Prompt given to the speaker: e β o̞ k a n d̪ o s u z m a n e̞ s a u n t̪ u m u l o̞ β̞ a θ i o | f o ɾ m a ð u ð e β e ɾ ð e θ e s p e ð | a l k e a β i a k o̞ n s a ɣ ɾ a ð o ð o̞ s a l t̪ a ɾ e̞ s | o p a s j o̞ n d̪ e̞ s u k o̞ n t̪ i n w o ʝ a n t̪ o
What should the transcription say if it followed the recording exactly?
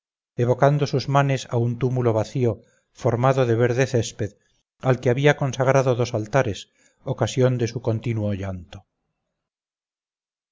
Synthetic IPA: e β o̞ k a n d̪ o s u z m a n e̞ s a u n t̪ u m u l o̞ β̞ a θ i o | f o ɾ m a ð o ð e β e ɾ ð e θ e s p e ð | a l k e a β i a k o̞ n s a ɣ ɾ a ð o ð o̞ s a l t̪ a ɾ e̞ s | o k a s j o̞ n d̪ e̞ s u k o̞ n t̪ i n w o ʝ a n t̪ o

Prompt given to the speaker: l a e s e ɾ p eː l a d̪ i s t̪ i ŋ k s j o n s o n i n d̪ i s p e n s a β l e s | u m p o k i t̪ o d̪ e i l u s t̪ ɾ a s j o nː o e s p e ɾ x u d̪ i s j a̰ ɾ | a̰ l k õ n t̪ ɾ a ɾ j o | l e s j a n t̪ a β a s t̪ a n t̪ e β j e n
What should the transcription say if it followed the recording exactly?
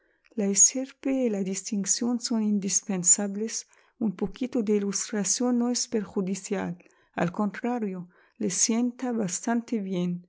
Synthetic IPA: l a e s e ɾ p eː l a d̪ i s t̪ i ŋ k s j o n s o n i n d̪ i s p e n s a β l e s | u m p o k i t̪ o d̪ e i l u s t̪ ɾ a s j o nː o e s p e ɾ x u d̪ i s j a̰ l | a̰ l k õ n t̪ ɾ a ɾ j o | l e s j e n t̪ a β a s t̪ a n t̪ e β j e n

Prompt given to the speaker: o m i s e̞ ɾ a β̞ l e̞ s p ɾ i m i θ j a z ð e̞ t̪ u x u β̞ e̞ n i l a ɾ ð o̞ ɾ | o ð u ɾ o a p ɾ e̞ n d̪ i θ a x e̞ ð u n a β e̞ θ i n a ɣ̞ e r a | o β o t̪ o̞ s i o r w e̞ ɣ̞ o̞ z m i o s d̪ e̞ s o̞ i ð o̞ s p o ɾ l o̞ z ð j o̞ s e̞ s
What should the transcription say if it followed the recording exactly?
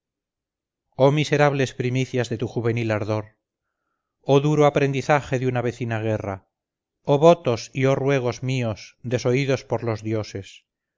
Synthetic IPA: o m i s e̞ ɾ a β̞ l e̞ s p ɾ i m i θ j a z ð e̞ t̪ u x u β̞ e̞ n i l a ɾ ð o̞ ɾ | o ð u ɾ o a p ɾ e̞ n d̪ i θ a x e̞ ð u n a β e̞ θ i n a ɣ̞ e r a | o β o t̪ o̞ s i o r w e̞ ɣ̞ o̞ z m i o s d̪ e̞ s o̞ i ð o̞ s p o ɾ l o̞ z ð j o̞ s e̞ s

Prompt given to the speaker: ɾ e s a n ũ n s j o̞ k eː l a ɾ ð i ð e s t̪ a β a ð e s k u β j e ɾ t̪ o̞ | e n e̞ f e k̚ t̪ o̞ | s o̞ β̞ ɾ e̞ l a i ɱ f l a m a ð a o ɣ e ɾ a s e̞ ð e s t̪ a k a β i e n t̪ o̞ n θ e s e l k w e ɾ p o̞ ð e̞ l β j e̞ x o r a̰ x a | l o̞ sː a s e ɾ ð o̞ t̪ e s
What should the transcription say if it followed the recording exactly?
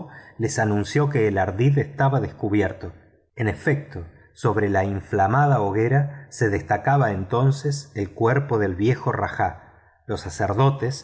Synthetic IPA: l e s a n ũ n s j o̞ k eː l a ɾ ð i ð e s t̪ a β a ð e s k u β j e ɾ t̪ o̞ | e n e̞ f e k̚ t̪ o̞ | s o̞ β̞ ɾ e̞ l a i ɱ f l a m a ð a o ɣ e ɾ a s e̞ ð e s t̪ a k a β a e n t̪ o̞ n s e s e l k w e ɾ p o̞ ð e̞ l β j e̞ x o r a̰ x a | l o̞ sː a s e ɾ ð o̞ t̪ e s

